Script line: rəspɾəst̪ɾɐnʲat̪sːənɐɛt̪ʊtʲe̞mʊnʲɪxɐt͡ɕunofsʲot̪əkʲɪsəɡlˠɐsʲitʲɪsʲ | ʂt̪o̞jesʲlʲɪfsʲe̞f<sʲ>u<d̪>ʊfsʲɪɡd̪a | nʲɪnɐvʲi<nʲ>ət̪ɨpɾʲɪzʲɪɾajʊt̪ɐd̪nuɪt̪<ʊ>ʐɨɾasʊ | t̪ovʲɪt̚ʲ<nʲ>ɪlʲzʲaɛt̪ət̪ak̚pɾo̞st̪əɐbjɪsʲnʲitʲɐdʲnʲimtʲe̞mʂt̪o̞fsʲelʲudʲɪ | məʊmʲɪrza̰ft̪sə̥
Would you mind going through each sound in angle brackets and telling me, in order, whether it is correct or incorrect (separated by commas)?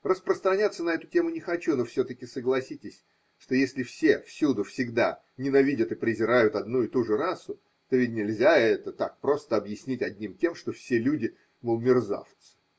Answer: correct, correct, incorrect, incorrect, correct